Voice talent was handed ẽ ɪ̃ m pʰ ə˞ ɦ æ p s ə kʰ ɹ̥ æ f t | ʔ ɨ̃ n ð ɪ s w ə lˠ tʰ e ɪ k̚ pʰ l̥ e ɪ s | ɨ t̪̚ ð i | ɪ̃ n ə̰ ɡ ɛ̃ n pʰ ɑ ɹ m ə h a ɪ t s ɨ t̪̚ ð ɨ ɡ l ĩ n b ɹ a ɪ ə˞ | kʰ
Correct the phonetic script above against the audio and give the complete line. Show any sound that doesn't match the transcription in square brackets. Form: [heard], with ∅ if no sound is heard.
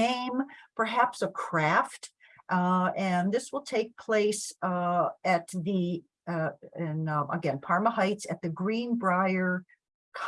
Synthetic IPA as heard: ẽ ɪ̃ m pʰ ə˞ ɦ æ p s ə kʰ ɹ̥ æ f t | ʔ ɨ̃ n ð ɪ s w ə lˠ tʰ e ɪ k̚ pʰ l̥ e ɪ s | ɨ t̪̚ ð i | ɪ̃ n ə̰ ɡ ɛ̃ n pʰ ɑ ɹ m ə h a ɪ t s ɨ t̪̚ ð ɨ ɡ [ɹ] ĩ n b ɹ a ɪ ə˞ | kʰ